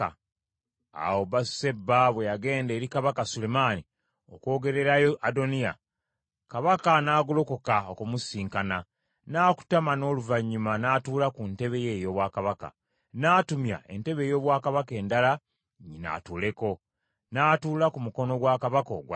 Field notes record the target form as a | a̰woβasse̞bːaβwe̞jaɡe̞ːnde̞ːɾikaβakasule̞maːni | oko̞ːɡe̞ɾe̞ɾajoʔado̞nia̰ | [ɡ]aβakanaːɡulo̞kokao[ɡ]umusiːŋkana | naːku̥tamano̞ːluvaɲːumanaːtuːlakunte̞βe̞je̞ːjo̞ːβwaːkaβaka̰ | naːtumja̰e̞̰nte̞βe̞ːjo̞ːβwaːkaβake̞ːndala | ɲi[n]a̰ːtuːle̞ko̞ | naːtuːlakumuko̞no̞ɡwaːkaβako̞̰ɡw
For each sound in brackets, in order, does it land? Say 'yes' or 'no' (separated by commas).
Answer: no, no, yes